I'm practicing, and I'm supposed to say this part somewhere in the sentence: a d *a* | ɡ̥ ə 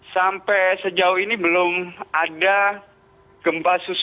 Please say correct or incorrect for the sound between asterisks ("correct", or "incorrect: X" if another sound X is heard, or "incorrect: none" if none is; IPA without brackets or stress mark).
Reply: correct